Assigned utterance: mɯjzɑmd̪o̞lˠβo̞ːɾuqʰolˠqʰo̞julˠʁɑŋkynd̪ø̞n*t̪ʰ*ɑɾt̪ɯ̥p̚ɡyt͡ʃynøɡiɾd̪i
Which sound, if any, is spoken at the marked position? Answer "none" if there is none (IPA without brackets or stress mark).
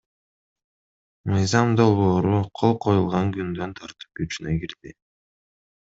t̪ʰ